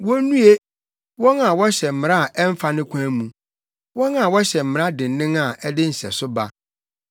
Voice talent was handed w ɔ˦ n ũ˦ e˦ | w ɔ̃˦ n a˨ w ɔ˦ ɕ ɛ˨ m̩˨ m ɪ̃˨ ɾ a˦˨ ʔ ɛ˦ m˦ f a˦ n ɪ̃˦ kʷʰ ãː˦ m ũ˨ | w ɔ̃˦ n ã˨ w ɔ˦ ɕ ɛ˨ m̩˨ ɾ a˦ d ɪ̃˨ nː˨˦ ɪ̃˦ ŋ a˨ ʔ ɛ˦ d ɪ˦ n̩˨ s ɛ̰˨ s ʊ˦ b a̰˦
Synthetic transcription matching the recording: w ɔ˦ n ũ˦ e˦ | w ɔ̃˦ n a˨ w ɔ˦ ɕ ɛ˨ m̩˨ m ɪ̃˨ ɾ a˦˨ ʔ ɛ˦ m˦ f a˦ n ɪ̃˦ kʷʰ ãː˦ m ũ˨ | w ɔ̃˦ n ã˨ w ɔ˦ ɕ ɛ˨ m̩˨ ɾ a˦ d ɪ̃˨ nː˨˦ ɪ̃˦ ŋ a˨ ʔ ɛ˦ d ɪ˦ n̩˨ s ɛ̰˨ s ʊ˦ b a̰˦